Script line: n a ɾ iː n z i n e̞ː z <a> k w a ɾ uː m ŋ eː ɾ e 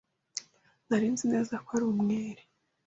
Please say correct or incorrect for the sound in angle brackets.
correct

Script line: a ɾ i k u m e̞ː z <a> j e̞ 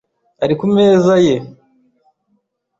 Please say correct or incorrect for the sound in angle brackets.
correct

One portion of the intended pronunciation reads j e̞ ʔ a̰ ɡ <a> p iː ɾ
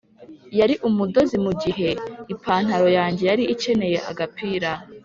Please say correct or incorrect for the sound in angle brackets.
correct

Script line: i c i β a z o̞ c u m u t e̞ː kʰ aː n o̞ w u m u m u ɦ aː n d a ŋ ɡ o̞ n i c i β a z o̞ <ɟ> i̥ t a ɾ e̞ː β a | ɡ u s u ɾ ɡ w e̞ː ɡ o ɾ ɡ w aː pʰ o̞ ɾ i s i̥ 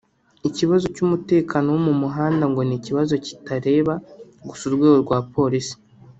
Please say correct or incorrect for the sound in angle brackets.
incorrect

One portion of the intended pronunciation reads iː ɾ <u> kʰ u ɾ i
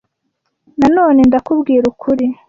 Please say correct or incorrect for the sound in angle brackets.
correct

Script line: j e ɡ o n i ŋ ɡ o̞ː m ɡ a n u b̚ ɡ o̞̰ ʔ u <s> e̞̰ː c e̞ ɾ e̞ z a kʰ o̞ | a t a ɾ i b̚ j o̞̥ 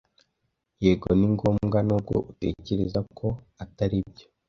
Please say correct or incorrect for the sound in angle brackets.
incorrect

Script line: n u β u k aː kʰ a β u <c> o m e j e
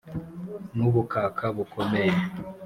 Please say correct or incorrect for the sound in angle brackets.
incorrect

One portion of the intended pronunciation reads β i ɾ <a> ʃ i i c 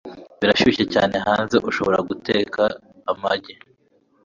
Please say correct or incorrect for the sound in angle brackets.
correct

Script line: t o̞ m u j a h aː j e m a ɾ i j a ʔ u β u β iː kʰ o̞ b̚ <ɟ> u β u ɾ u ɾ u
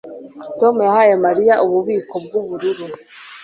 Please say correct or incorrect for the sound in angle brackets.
incorrect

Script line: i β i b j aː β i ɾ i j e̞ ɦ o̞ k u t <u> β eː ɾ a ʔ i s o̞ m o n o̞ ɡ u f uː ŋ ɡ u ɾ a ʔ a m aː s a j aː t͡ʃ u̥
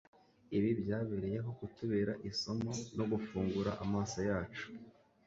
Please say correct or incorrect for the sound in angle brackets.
correct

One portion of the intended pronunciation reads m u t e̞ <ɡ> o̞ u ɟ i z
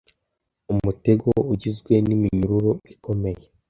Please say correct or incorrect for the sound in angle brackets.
correct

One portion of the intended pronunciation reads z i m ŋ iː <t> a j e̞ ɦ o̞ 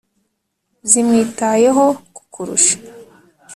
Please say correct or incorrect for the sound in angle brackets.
correct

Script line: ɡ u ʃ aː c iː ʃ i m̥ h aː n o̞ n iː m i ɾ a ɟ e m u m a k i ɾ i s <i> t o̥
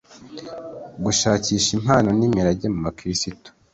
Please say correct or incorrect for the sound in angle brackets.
correct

